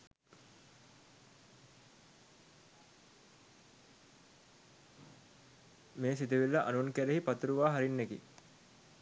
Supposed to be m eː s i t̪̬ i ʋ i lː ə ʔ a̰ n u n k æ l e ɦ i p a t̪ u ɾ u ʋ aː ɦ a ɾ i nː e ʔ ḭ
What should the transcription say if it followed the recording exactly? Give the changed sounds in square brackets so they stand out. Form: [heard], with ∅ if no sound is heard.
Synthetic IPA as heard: m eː s i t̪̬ i ʋ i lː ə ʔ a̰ n u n k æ [ɾ] e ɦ i p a t̪ u ɾ u ʋ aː ɦ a ɾ i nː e [k] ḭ